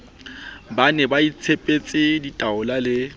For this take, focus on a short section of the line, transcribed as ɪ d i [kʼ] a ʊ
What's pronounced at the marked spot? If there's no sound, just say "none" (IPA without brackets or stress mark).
tʼ